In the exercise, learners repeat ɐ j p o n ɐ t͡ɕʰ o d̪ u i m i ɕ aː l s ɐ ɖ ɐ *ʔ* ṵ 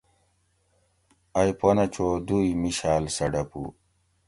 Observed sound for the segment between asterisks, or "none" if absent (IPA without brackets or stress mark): p